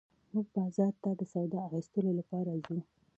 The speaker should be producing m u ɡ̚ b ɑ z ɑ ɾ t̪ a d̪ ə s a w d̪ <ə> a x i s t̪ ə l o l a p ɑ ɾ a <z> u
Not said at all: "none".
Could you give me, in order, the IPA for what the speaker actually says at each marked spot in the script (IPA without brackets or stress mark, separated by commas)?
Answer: ɑ, z